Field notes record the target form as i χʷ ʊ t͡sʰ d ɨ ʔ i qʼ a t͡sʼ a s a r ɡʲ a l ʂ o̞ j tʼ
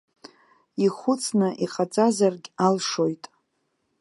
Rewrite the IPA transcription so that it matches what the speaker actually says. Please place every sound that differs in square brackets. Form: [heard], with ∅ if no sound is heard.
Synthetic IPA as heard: i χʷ ʊ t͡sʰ [n] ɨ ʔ i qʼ a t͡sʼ a [z] a r ɡʲ a l ʂ o̞ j tʼ